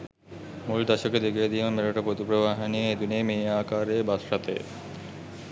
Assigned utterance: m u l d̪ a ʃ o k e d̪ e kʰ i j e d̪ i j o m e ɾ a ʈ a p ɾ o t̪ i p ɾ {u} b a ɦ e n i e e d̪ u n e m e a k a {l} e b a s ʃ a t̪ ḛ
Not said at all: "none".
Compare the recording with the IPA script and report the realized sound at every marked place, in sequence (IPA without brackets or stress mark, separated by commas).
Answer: o, ɾ